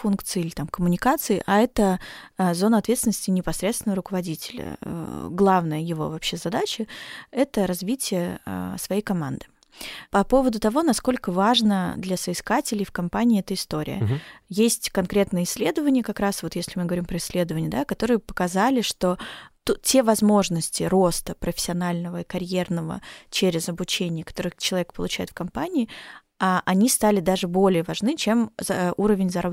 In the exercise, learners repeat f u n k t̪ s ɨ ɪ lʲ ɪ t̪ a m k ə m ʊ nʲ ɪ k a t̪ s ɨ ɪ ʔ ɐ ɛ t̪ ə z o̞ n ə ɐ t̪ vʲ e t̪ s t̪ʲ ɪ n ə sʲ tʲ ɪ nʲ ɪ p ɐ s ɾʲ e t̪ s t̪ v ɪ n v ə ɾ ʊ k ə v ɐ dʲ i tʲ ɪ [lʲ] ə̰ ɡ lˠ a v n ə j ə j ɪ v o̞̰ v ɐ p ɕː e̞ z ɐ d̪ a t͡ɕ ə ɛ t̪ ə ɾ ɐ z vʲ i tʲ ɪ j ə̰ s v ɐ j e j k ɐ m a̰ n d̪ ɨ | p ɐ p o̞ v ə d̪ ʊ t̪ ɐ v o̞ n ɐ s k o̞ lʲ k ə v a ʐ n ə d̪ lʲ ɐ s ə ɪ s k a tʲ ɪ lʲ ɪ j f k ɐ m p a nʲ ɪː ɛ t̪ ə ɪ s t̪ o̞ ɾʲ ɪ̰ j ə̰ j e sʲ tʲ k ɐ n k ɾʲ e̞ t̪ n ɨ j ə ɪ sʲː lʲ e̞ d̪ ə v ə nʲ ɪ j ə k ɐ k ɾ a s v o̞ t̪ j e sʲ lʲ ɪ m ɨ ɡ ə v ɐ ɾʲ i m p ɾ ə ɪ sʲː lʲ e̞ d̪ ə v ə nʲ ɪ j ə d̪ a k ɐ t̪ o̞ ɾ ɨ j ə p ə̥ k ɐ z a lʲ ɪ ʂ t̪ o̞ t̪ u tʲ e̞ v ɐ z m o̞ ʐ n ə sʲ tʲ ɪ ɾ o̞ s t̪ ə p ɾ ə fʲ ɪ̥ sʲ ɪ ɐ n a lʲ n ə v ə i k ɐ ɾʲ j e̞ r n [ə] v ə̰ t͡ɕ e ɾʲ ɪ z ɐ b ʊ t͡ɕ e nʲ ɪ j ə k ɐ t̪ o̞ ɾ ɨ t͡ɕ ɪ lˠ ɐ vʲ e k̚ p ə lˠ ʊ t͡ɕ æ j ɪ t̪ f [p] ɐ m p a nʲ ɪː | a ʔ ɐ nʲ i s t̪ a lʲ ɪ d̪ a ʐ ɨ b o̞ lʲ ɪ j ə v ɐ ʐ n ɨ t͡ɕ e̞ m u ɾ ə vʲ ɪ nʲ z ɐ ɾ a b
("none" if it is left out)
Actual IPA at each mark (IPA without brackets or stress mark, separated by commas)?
lʲ, ə, k